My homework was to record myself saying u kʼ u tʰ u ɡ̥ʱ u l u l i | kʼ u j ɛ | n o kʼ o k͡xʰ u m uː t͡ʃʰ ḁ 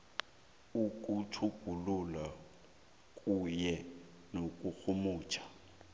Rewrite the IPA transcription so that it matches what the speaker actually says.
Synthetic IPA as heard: u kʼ u tʰ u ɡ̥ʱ u l u l a | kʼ u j ɛ | n o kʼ u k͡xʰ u m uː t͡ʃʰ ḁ